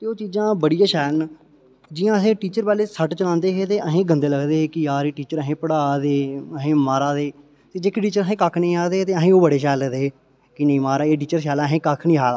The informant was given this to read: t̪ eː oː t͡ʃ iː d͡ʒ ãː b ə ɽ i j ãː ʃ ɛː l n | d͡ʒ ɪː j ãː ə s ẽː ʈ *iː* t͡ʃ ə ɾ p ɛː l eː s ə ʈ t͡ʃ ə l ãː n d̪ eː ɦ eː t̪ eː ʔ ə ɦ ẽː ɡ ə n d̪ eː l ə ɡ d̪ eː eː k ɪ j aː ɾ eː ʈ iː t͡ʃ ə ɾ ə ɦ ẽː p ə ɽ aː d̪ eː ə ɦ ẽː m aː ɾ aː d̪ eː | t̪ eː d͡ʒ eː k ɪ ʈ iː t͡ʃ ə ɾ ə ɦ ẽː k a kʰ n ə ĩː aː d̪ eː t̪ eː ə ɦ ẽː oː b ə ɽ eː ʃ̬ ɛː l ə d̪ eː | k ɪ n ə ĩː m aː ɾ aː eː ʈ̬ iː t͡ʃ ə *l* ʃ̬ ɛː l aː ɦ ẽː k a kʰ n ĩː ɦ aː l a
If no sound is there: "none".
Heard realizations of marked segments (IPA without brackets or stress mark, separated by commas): iː, ɾ